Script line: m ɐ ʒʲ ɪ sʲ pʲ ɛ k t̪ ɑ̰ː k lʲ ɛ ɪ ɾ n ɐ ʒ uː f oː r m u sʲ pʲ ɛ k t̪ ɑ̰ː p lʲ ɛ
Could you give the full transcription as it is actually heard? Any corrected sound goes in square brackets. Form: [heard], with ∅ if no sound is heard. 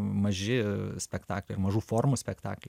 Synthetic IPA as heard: m ɐ ʒʲ ɪ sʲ pʲ ɛ k t̪ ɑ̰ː k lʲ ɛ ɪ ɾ [m] ɐ ʒ uː f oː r m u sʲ pʲ ɛ k t̪ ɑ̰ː [k] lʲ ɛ